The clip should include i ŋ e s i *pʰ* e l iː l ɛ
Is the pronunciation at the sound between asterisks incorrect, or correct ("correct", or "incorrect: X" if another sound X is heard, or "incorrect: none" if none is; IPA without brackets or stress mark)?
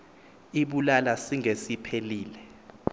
correct